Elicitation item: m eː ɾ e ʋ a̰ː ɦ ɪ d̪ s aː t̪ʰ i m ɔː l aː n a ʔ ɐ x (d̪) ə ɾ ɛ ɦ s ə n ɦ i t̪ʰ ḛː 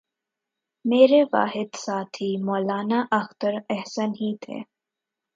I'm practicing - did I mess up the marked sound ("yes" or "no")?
yes